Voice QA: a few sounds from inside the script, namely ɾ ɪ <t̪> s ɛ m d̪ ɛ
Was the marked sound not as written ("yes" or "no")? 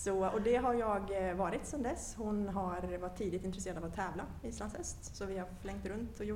no